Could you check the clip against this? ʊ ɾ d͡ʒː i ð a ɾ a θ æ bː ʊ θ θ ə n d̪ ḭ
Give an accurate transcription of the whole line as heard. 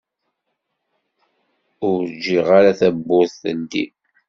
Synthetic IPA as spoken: ʊ ɾ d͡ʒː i ʁ a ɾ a θ æ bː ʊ θ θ ə n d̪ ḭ